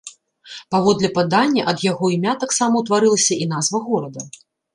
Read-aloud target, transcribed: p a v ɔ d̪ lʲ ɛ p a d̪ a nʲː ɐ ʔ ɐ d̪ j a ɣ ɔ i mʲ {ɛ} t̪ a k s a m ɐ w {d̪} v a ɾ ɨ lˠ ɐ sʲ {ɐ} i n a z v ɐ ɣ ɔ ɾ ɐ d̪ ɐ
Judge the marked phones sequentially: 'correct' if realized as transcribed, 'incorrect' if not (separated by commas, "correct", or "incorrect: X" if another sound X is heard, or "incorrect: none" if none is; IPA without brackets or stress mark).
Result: incorrect: a, incorrect: t̪, correct